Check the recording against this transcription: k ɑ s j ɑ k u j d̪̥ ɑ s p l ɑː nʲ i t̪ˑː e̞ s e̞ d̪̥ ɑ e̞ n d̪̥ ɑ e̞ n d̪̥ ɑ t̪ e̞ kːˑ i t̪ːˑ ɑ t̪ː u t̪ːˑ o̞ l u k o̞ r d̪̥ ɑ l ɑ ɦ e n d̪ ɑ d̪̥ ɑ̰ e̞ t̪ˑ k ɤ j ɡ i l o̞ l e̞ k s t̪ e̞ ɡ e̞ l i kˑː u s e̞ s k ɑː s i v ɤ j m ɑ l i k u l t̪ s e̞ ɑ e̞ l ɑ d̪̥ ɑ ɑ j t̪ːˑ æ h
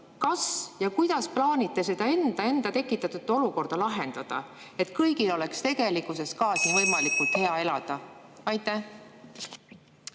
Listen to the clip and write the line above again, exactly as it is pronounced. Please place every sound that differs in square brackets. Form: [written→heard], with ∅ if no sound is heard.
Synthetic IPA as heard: k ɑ s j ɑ k u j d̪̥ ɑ s p l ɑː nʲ i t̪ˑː e̞ s e̞ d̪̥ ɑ e̞ n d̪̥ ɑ e̞ n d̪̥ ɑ t̪ e̞ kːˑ i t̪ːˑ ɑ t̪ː u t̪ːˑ o̞ l u k o̞ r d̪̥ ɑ l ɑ ɦ e n d̪ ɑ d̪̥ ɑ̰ e̞ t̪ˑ k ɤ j ɡ i l o̞ l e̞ k s t̪ e̞ ɡ e̞ l i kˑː u s e̞ s k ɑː s i v ɤ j m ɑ l i k u l t̪ [s→h] e̞ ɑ e̞ l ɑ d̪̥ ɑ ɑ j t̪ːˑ æ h